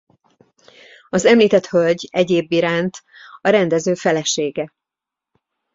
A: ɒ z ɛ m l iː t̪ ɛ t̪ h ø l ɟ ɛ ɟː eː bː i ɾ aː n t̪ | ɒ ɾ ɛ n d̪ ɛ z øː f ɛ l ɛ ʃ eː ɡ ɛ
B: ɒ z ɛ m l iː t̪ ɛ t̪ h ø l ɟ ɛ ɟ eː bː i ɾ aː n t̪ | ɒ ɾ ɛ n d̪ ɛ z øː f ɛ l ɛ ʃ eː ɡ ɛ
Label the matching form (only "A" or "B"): B